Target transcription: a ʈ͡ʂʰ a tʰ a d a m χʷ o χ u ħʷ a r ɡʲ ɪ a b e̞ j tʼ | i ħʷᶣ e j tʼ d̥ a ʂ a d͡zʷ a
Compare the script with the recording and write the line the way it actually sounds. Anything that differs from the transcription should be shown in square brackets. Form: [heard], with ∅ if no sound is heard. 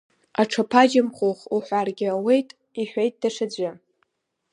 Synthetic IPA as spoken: a ʈ͡ʂʰ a [pʰ] a [d͡ʒ] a m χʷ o χ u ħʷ a r ɡʲ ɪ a [w] e̞ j tʼ | i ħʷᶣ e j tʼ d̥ a ʂ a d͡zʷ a